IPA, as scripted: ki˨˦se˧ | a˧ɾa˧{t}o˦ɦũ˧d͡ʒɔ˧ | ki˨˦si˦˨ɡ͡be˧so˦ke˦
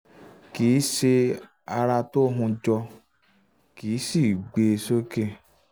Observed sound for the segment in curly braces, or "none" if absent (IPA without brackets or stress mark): t